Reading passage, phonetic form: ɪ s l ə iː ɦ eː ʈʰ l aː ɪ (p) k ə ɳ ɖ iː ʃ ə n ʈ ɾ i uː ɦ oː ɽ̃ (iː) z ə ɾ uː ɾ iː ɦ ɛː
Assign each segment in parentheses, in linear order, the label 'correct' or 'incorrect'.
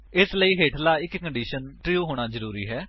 incorrect, incorrect

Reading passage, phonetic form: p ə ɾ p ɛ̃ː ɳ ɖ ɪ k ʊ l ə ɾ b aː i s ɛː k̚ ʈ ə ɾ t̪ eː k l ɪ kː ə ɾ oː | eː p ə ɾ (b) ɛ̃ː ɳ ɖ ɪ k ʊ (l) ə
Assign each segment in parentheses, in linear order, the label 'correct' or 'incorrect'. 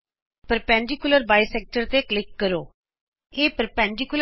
incorrect, correct

